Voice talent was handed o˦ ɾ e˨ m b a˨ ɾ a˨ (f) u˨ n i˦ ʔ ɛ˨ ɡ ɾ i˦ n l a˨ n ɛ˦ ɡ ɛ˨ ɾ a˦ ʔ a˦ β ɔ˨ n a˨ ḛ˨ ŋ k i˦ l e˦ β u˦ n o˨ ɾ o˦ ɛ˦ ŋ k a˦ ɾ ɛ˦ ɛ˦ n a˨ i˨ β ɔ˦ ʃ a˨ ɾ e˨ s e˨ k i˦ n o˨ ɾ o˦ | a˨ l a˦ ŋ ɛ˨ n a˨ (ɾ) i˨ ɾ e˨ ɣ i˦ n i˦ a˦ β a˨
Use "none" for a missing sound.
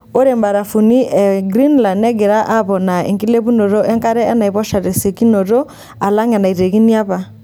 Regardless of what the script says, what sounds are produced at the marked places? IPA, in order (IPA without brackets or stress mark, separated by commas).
f, none